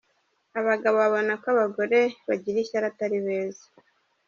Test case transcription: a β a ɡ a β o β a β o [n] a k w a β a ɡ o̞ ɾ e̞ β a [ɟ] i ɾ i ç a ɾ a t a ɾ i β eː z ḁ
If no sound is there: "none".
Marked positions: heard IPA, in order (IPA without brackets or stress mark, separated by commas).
n, ɟ